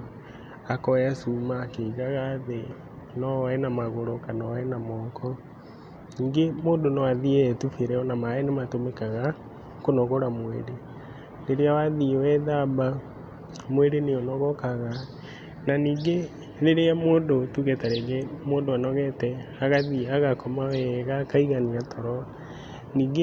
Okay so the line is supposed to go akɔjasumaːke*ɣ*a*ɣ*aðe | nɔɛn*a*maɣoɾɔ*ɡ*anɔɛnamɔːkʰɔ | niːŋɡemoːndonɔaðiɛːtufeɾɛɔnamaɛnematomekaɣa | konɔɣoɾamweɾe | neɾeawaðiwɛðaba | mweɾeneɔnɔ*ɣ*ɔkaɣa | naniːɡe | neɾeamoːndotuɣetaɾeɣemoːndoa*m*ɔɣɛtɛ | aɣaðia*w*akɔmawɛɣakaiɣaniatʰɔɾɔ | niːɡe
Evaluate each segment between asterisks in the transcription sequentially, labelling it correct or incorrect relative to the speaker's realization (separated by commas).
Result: correct, correct, correct, incorrect, correct, incorrect, incorrect